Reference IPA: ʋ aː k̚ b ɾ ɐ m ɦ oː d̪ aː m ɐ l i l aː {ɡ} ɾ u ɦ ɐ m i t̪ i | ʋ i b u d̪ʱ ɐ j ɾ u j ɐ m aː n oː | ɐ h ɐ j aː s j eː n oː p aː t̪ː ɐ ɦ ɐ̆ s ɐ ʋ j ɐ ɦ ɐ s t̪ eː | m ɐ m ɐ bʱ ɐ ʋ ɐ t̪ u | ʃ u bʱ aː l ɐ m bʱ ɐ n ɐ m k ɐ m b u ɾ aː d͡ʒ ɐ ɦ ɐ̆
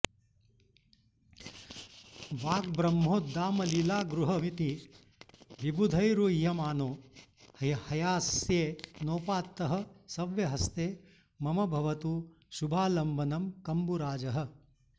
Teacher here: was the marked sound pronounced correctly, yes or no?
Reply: yes